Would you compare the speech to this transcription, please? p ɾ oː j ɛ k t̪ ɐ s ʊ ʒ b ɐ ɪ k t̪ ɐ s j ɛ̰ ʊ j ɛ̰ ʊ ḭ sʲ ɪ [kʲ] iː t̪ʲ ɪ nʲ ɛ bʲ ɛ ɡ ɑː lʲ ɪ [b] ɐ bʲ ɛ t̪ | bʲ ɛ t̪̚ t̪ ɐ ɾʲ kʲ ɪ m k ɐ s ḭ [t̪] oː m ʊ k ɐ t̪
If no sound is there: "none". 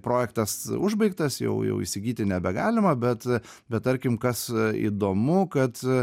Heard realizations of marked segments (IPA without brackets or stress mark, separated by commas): ɡʲ, m, d̪